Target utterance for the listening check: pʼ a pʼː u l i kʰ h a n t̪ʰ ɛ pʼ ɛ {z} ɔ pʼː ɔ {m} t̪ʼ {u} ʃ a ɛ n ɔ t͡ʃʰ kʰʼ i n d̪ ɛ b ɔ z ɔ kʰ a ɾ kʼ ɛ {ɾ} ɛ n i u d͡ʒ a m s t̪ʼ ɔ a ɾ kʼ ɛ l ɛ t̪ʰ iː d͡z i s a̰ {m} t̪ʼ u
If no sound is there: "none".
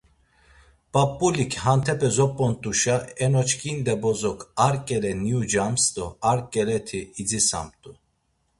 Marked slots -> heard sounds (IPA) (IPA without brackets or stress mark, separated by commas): z, n, u, l, m